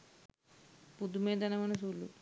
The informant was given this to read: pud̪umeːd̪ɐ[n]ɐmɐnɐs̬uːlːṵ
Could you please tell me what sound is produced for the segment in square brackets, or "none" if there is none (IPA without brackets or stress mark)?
n